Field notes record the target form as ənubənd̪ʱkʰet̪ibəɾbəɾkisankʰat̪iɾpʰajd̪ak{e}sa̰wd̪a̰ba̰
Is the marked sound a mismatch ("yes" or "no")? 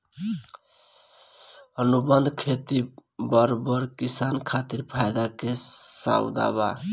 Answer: no